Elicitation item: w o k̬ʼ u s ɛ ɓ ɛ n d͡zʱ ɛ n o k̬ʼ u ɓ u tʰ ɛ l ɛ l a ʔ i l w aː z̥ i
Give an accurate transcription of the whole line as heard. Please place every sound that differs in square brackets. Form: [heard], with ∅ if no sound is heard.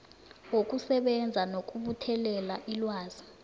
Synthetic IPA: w o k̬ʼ u s ɛ ɓ ɛ n d͡zʱ [a] n o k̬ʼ u ɓ u tʰ ɛ l ɛ l a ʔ i l w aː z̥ i